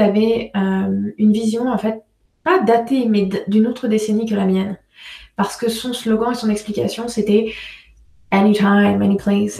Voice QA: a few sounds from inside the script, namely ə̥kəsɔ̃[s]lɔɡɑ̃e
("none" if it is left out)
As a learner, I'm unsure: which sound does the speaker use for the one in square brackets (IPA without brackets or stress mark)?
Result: s